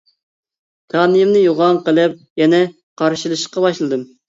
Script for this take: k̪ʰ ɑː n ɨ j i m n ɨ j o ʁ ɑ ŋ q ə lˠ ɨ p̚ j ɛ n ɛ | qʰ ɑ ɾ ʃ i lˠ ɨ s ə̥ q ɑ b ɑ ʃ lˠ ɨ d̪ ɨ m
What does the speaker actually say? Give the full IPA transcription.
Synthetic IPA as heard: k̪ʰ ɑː n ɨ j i m n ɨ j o ʁ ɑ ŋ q ə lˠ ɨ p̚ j ɛ n ɛ | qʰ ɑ ɾ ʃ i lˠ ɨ ʃ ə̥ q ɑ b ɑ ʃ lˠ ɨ d̪ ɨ m